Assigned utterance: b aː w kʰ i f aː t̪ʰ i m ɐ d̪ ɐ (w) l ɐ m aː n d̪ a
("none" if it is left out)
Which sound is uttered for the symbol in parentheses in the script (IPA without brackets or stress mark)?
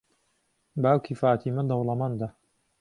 w